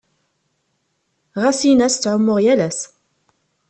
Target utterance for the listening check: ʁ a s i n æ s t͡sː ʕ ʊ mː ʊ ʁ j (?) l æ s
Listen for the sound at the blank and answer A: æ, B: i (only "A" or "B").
A